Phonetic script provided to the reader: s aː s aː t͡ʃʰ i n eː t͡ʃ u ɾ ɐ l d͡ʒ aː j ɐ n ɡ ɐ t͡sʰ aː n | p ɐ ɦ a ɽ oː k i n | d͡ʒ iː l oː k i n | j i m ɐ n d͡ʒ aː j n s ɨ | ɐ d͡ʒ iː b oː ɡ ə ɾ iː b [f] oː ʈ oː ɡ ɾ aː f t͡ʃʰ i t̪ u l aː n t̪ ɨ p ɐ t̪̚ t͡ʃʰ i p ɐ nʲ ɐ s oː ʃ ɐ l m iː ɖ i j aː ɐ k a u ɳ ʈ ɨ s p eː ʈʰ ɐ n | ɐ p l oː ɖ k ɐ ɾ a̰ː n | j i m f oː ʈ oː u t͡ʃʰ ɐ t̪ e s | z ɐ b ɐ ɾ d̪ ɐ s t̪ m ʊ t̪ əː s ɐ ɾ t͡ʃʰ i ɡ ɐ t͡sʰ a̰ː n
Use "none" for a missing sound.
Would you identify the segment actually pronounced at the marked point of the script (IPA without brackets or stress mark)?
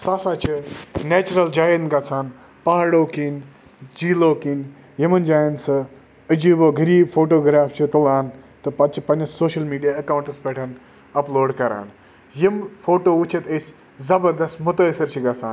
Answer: f